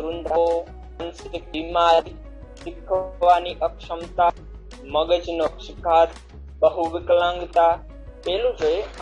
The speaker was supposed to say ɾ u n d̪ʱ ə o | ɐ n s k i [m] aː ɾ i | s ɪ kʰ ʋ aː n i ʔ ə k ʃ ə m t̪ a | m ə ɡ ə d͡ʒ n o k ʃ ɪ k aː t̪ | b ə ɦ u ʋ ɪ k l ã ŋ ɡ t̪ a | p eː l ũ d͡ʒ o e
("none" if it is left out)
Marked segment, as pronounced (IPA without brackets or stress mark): m